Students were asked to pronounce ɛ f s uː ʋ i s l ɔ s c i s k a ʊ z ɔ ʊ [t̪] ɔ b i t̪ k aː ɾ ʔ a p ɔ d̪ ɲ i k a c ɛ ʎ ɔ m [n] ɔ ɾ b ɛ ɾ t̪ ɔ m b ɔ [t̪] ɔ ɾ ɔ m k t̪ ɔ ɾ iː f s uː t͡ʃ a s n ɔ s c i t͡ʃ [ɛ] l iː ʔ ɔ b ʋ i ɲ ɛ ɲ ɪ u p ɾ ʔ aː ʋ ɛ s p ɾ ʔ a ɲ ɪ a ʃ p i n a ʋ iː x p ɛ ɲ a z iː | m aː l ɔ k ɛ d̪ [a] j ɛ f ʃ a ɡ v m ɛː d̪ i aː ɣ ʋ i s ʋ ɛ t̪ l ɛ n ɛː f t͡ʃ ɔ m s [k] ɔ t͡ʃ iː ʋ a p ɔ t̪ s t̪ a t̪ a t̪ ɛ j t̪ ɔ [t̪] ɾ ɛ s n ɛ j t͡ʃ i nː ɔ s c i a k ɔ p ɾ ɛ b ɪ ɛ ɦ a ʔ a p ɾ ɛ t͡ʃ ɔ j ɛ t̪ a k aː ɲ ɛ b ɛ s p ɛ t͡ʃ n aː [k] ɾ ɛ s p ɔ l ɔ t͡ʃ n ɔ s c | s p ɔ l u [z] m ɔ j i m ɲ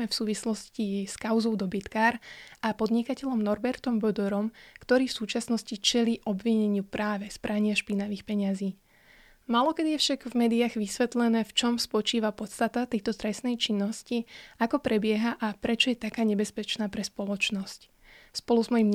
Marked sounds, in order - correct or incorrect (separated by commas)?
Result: incorrect, correct, incorrect, correct, incorrect, incorrect, correct, incorrect, correct